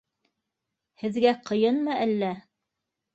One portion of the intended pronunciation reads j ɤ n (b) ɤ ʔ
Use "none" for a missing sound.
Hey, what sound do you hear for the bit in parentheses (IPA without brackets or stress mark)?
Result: m